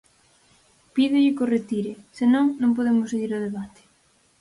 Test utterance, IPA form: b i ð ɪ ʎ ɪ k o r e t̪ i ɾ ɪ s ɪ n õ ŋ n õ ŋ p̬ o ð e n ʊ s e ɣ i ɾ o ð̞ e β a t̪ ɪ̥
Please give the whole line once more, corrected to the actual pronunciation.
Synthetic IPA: p i ð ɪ ʎ ɪ k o r e t̪ i ɾ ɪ s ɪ n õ ŋ n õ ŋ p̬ o ð e m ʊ s e ɣ i ɾ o ð̞ e β a t̪ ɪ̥